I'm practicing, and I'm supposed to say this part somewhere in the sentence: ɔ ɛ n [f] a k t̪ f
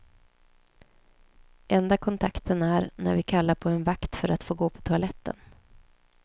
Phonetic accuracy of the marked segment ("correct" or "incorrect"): incorrect